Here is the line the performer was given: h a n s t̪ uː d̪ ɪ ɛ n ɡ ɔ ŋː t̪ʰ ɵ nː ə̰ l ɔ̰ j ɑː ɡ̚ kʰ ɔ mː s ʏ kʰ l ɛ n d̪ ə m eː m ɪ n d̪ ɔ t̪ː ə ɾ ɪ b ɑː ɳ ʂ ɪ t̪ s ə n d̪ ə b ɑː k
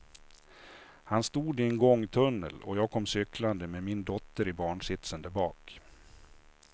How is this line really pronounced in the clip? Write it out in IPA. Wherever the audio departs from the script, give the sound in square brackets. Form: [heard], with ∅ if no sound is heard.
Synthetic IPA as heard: h a n s t̪ uː d̪ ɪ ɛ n ɡ ɔ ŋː t̪ʰ ɵ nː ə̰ l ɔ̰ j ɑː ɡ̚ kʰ ɔ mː s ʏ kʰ l [a] n d̪ ə m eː m ɪ n d̪ ɔ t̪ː ə ɾ ɪ b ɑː ɳ ʂ ɪ t̪ s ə n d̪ ə b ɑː k

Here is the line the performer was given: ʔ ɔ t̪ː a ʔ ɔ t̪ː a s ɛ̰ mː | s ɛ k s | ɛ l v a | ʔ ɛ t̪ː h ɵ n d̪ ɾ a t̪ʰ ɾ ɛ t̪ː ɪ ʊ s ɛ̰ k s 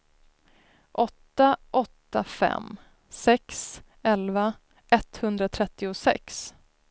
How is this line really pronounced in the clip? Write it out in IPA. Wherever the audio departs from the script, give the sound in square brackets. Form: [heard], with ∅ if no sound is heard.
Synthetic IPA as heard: ʔ ɔ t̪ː a ʔ ɔ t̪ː a [f] ɛ̰ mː | s ɛ k s | ɛ l v a | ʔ ɛ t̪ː h ɵ n d̪ ɾ a t̪ʰ ɾ ɛ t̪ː ɪ ʊ s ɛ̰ k s

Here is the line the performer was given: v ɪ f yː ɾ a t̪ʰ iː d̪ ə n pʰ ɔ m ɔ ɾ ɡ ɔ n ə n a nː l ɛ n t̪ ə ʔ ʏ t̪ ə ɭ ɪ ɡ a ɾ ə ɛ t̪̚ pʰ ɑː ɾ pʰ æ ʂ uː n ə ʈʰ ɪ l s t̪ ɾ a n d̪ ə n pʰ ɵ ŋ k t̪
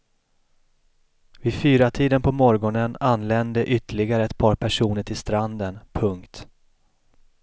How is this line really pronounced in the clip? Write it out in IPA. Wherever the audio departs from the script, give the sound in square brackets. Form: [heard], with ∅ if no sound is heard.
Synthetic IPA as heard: v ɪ f yː ɾ a t̪ʰ iː d̪ ə n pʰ ɔ m ɔ ɾ ɡ ɔ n ə n a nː l ɛ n [d̪] ə ʔ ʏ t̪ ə ɭ ɪ ɡ a ɾ ə ɛ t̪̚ pʰ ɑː ɾ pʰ æ ʂ uː n ə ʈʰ ɪ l s t̪ ɾ a n d̪ ə n pʰ ɵ ŋ k t̪

